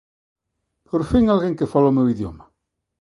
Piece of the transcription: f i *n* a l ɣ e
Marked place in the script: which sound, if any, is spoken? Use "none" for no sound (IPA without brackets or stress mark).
ŋ